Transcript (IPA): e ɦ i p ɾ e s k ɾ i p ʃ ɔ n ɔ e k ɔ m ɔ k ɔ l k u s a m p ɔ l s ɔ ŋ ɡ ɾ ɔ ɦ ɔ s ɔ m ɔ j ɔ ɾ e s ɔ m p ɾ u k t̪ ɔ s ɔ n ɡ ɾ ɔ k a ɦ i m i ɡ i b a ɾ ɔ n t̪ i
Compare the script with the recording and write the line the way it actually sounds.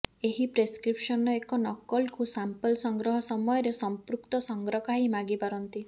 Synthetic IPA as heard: e ɦ i p ɾ e s k ɾ i p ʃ ɔ n ɔ e k ɔ n ɔ k ɔ l k u s a m p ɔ l s ɔ ŋ ɡ ɾ ɔ ɦ ɔ s ɔ m ɔ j ɔ ɾ e s ɔ m p ɾ u k t̪ ɔ s ɔ ŋ ɡ ɾ ɔ k a ɦ i m a ɡ i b a ɾ ɔ n t̪ i